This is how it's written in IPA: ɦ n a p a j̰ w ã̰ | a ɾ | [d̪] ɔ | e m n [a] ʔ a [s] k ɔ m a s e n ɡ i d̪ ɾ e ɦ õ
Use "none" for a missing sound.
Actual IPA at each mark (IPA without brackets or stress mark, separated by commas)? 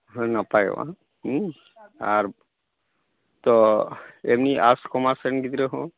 t̪, i, s